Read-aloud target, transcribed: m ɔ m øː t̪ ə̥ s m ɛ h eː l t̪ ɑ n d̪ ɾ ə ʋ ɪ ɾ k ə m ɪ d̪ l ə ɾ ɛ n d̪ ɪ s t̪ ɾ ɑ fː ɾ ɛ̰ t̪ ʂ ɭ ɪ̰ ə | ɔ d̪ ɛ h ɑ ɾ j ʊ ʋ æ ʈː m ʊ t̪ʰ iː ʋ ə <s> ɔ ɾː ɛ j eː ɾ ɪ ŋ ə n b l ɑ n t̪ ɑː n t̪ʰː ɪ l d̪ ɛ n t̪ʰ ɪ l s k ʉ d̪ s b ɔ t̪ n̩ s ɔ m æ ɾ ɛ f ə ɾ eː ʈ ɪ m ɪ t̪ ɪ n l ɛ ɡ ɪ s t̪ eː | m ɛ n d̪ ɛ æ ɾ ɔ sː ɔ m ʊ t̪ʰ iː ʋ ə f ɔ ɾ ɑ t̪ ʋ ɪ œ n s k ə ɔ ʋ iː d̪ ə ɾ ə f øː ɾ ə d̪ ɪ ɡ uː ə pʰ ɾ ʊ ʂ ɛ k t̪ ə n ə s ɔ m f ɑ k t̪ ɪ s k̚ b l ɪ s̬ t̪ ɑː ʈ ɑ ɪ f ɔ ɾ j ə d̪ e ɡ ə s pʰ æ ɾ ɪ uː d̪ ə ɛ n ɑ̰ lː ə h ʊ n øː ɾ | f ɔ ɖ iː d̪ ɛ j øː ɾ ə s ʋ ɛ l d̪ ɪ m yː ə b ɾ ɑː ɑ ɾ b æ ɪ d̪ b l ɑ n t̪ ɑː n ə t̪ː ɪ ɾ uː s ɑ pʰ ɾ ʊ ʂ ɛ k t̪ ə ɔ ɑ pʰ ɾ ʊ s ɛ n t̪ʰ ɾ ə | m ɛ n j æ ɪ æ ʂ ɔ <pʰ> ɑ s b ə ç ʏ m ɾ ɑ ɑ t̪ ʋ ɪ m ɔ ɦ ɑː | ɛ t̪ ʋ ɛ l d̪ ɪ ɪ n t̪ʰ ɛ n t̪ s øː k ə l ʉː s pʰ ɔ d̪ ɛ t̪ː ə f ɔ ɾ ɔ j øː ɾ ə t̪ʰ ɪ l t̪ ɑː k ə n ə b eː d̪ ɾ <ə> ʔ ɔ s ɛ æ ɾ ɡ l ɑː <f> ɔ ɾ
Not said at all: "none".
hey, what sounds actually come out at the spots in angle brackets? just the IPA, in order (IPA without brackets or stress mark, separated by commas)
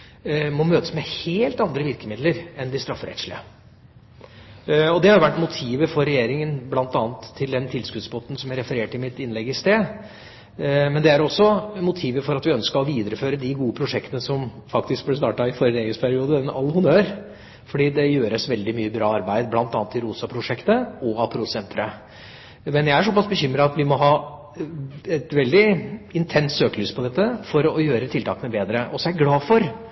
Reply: f, p, ə, f